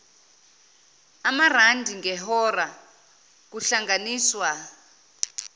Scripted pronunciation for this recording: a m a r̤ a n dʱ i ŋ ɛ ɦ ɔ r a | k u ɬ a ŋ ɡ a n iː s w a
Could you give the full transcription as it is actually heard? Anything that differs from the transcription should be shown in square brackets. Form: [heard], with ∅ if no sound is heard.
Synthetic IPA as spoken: a m a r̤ a n dʱ i ŋ ɛ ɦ ɔ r a | k u ɬ a ŋ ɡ a n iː s w a